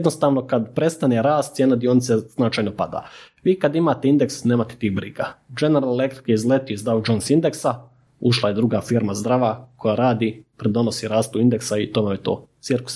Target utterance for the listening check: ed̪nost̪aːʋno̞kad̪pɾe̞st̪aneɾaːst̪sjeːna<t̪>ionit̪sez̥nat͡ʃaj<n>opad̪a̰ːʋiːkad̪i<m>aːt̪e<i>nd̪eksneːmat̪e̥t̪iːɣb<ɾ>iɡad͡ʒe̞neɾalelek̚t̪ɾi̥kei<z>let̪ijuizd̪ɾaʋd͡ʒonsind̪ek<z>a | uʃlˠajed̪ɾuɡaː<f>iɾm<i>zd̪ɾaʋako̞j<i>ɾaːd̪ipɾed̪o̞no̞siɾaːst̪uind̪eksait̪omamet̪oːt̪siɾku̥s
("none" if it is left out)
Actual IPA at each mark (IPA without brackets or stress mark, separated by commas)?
d̪, n, m, i, ɾ, z, s, f, a, a